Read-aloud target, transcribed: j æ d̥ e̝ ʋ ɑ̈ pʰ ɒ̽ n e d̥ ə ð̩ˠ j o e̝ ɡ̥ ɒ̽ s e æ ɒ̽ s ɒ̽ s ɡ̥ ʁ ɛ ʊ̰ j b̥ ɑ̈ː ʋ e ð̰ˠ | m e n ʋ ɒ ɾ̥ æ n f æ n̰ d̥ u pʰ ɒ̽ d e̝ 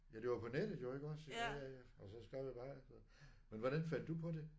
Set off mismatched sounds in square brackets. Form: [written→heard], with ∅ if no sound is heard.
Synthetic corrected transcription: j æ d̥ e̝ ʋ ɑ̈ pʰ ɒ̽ n e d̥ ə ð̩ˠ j o e̝ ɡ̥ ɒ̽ s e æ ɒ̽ s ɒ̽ s ɡ̥ ʁ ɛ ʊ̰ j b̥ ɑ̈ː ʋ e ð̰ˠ | m e n ʋ ɒ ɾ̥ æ n f æ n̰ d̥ u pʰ ɒ̽ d e̝